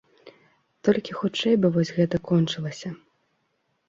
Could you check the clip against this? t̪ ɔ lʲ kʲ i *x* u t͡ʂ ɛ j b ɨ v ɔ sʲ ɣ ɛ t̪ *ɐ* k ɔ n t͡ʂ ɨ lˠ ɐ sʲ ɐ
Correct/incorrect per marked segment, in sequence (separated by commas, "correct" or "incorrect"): correct, correct